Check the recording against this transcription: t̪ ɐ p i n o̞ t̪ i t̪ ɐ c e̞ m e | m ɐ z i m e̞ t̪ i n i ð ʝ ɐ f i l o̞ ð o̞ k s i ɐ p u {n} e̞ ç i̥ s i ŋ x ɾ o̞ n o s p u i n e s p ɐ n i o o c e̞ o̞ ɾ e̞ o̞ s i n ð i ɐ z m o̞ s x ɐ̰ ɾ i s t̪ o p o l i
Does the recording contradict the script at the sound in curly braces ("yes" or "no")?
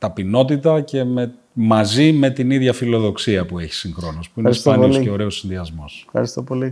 yes